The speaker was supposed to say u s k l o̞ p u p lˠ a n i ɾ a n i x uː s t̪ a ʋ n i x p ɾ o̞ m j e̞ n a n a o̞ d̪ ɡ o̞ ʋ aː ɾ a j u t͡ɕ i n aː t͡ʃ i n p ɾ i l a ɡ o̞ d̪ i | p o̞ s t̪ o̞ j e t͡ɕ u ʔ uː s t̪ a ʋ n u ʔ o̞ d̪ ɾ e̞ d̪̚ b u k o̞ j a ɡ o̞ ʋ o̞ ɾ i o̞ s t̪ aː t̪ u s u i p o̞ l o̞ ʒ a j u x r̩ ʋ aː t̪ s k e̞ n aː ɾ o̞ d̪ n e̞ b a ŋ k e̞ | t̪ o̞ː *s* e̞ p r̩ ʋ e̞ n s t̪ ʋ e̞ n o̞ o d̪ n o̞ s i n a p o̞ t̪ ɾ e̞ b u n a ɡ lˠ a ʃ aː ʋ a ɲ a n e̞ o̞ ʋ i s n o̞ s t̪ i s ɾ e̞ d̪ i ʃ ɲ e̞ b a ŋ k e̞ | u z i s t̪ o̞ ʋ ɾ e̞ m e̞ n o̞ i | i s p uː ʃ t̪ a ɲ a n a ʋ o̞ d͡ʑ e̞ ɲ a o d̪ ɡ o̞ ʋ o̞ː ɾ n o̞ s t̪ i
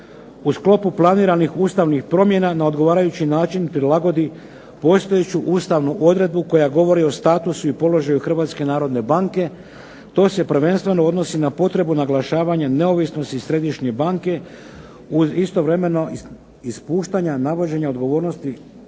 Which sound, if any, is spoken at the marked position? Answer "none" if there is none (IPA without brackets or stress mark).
s